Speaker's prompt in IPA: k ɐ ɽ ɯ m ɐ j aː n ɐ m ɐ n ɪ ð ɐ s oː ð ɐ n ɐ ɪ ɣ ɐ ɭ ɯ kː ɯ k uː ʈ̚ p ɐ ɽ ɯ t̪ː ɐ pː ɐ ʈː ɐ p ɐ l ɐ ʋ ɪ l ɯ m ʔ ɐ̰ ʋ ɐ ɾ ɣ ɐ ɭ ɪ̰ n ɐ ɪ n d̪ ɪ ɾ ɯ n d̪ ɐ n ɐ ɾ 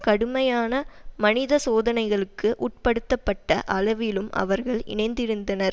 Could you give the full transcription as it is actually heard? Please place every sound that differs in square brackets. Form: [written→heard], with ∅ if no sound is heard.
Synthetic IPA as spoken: k ɐ ɽ ɯ m ɐ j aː n ɐ m ɐ n ɪ ð ɐ s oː ð ɐ n ɐ ɪ ɣ ɐ ɭ ɯ kː ɯ [k→ʔ] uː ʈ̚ p ɐ ɽ ɯ t̪ː ɐ pː ɐ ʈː ɐ [p→ʔ] ɐ l ɐ ʋ ɪ l ɯ m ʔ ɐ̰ ʋ ɐ ɾ ɣ ɐ ɭ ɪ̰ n ɐ ɪ n d̪ ɪ ɾ ɯ n d̪ ɐ n ɐ ɾ

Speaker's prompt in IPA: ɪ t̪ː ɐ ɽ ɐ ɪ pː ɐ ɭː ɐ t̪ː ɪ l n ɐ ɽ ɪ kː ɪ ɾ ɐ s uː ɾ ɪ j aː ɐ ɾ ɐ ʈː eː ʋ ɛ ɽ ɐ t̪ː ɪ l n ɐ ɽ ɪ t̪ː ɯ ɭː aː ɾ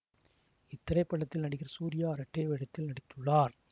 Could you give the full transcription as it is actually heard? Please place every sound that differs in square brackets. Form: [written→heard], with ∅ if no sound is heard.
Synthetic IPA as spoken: ɪ t̪ː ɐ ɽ ɐ ɪ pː ɐ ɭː ɐ t̪ː ɪ l n ɐ ɽ ɪ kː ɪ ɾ ɐ s uː ɾ ɪ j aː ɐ ɾ ɐ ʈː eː ʋ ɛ ɽ ɐ t̪ː ɪ l n ɐ ɽ ɪ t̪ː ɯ ɭː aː ɾ

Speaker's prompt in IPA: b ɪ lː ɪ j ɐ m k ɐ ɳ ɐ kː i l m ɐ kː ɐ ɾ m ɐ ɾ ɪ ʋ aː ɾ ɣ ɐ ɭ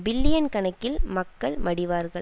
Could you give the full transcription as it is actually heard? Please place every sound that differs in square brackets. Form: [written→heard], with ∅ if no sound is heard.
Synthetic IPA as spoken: b ɪ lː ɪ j ɐ [m→n] k ɐ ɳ ɐ kː [i→ɪ] l m ɐ kː ɐ [ɾ→ɭ] m ɐ [ɾ→ɽ] ɪ ʋ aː ɾ ɣ ɐ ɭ

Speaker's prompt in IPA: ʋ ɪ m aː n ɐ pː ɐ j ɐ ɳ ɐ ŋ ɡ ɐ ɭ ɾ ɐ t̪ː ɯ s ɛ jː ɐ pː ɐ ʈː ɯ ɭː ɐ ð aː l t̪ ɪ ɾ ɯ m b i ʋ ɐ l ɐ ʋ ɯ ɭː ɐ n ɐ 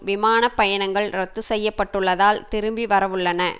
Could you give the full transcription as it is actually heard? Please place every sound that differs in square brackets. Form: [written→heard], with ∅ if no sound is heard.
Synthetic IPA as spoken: ʋ ɪ m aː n ɐ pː ɐ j ɐ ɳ ɐ ŋ ɡ ɐ ɭ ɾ ɐ t̪ː ɯ s ɛ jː ɐ pː ɐ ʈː ɯ ɭː ɐ ð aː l t̪ ɪ ɾ ɯ m b i ʋ ɐ [l→ɾ] ɐ ʋ ɯ ɭː ɐ n ɐ

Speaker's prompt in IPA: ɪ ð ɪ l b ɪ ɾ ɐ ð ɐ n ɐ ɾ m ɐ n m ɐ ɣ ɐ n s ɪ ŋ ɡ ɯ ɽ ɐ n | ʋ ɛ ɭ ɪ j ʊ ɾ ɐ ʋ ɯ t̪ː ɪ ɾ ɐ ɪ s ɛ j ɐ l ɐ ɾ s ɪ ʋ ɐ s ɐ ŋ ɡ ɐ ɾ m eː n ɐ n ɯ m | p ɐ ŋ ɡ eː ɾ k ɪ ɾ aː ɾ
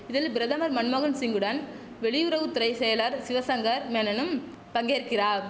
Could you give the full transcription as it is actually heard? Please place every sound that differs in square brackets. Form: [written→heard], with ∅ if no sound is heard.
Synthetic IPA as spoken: ɪ ð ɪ l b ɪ ɾ ɐ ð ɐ [n→m] ɐ ɾ m ɐ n m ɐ ɣ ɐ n s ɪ ŋ ɡ ɯ ɽ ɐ n | ʋ ɛ ɭ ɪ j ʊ ɾ ɐ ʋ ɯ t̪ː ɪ ɾ ɐ ɪ s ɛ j ɐ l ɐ ɾ s ɪ ʋ ɐ s ɐ ŋ ɡ ɐ ɾ m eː n ɐ n ɯ m | p ɐ ŋ ɡ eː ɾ k ɪ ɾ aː ɾ

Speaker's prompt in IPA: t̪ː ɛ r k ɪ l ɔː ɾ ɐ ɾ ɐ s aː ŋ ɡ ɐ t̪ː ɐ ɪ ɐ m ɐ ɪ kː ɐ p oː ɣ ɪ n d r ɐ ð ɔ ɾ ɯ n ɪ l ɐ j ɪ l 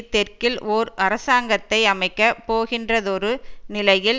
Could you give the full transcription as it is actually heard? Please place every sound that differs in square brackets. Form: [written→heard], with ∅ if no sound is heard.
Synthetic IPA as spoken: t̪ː ɛ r k ɪ l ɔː ɾ ɐ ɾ ɐ s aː ŋ ɡ ɐ t̪ː ɐ ɪ ɐ m ɐ ɪ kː ɐ p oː ɣ ɪ n d r ɐ ð ɔ ɾ ɯ n ɪ l ɐ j ɪ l

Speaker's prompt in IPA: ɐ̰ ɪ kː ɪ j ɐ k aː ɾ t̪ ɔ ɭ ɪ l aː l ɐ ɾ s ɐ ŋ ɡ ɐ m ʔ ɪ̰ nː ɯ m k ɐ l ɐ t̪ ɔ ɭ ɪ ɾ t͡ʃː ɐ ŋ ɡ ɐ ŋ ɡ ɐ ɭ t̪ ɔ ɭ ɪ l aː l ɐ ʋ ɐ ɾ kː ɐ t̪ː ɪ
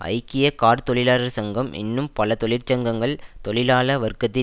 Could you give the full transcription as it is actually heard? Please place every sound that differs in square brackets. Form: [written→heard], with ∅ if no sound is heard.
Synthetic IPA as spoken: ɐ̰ ɪ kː ɪ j ɐ k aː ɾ t̪ ɔ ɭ ɪ l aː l ɐ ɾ s ɐ ŋ ɡ ɐ m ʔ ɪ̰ nː ɯ m [k→p] ɐ l ɐ t̪ ɔ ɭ ɪ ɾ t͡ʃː ɐ ŋ ɡ ɐ ŋ ɡ ɐ ɭ t̪ ɔ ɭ ɪ l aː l ɐ ʋ ɐ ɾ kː ɐ t̪ː ɪ

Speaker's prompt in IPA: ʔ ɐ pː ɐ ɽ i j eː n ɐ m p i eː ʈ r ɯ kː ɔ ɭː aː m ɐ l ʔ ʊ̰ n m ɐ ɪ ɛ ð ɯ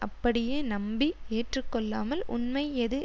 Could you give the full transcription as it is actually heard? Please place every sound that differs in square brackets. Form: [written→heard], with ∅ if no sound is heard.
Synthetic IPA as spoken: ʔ ɐ pː ɐ ɽ [i→ɪ] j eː n ɐ m [p→b] i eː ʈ r ɯ kː ɔ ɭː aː m ɐ l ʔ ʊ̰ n m ɐ ɪ ɛ ð ɯ

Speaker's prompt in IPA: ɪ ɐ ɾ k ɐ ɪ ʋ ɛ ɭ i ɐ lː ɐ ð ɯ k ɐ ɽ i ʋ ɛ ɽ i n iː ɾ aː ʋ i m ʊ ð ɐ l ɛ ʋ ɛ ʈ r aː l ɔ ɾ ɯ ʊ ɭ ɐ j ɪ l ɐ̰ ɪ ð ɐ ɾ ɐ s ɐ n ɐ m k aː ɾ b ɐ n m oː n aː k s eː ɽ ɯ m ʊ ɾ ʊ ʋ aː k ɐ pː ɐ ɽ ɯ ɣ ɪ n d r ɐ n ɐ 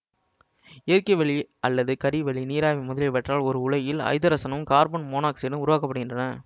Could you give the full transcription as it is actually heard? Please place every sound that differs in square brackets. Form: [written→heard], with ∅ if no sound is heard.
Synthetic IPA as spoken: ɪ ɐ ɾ k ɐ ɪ ʋ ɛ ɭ i ɐ lː ɐ ð ɯ k ɐ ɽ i ʋ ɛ [ɽ→ɭ] i n iː ɾ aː ʋ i m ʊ ð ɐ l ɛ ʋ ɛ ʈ r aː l ɔ ɾ ɯ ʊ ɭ ɐ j ɪ l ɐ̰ ɪ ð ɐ ɾ ɐ s ɐ n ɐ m k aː ɾ b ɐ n m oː n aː k s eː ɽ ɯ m ʊ ɾ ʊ ʋ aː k ɐ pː ɐ ɽ ɯ ɣ ɪ n d r ɐ n ɐ

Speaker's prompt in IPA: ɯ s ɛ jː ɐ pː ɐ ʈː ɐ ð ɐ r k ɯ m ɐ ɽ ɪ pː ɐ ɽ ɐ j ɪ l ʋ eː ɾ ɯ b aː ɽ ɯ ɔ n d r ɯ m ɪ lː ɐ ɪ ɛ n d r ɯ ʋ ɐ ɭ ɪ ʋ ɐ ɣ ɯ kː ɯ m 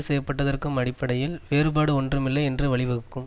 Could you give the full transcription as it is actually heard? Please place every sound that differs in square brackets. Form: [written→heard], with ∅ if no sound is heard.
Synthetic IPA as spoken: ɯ s ɛ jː ɐ pː ɐ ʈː ɐ ð ɐ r k ɯ m ɐ ɽ ɪ pː ɐ ɽ ɐ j ɪ l ʋ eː ɾ ɯ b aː ɽ ɯ ɔ n d r ɯ m ɪ lː ɐ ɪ ɛ n d r ɯ ʋ ɐ ɭ ɪ ʋ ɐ ɣ ɯ kː ɯ m

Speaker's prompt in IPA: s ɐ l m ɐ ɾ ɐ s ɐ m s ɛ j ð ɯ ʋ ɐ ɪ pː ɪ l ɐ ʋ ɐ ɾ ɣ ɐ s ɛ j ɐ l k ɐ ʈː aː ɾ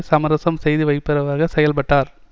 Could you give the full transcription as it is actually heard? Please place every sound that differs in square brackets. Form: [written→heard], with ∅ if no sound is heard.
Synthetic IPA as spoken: s ɐ [l→∅] m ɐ ɾ ɐ s ɐ m s ɛ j ð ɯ ʋ ɐ ɪ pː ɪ [l→ɾ] ɐ ʋ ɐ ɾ ɣ ɐ s ɛ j ɐ l [k→p] ɐ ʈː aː ɾ

